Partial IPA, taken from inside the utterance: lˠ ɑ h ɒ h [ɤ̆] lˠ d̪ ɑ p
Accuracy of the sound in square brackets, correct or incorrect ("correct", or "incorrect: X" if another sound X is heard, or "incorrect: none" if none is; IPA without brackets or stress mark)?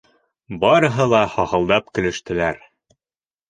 correct